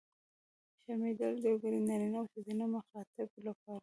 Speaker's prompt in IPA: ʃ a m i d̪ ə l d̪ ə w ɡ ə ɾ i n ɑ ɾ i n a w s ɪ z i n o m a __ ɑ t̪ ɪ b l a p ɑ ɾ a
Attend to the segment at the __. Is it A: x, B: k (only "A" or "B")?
A